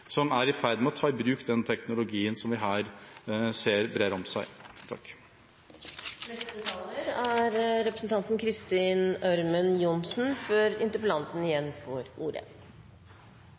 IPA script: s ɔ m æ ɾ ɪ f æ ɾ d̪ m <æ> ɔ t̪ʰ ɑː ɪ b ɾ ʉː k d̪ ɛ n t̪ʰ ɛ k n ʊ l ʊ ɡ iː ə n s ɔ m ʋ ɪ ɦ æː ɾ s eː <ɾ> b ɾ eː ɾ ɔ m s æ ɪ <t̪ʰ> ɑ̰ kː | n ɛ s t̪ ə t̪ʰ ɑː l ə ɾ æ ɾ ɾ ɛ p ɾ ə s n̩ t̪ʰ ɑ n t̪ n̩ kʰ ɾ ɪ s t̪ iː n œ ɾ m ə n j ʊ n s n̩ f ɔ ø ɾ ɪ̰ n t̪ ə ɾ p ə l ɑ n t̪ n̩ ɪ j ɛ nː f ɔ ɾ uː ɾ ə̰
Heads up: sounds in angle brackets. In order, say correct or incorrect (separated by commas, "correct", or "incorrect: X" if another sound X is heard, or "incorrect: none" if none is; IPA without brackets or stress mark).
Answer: incorrect: ɛ, correct, correct